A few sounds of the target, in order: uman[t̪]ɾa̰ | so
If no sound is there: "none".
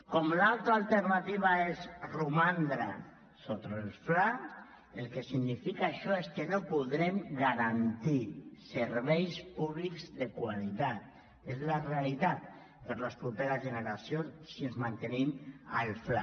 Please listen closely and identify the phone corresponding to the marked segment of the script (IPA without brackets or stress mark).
d̪